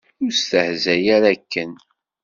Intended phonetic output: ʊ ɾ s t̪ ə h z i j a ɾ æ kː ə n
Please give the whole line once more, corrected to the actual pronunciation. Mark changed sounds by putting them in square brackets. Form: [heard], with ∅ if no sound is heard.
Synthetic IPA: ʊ ɾ s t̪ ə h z [æ] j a ɾ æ kː ə n